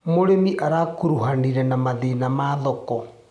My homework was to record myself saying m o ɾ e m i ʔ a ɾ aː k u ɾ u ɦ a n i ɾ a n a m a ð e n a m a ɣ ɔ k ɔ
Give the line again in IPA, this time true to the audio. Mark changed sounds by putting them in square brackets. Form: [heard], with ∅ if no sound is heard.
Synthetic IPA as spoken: m o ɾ e m i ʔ a ɾ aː k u ɾ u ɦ a n i ɾ [ɛ] n a m a ð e n a m a [ð] ɔ k ɔ